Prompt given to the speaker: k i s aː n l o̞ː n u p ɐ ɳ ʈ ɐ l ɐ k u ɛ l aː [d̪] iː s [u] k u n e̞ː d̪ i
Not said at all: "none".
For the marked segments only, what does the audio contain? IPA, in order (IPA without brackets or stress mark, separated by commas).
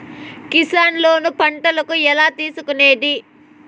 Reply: t̪, u